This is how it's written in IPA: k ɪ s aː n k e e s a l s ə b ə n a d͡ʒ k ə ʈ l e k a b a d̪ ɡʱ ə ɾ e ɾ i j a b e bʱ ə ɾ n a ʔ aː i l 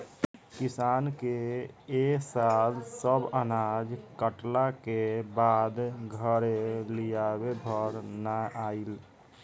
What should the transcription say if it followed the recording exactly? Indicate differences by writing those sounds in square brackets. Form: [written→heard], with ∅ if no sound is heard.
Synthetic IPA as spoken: k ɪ s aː n k e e s a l s ə b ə n a d͡ʒ k ə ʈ l [e→a] k [a→e] b a d̪ ɡʱ ə ɾ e [ɾ→l] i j a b e bʱ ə ɾ n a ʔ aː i l